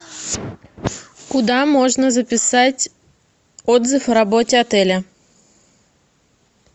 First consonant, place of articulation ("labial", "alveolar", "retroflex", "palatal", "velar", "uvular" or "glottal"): velar